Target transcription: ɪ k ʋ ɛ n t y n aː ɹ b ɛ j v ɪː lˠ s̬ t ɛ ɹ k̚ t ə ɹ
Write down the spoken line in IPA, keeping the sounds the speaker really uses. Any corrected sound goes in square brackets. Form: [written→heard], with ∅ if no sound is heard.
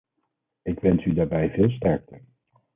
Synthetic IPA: ɪ k ʋ ɛ n [t→s] y [n→d] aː ɹ b ɛ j v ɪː lˠ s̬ t ɛ ɹ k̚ t ə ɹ